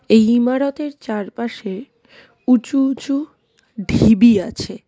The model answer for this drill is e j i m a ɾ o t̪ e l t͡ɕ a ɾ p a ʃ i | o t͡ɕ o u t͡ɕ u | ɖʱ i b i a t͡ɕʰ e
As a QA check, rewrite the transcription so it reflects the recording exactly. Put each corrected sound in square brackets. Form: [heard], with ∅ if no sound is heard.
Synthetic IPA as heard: e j i m a ɾ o t̪ e [ɾ] t͡ɕ a ɾ p a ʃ [e] | [u] t͡ɕ [u] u t͡ɕ u | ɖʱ i b i a t͡ɕʰ e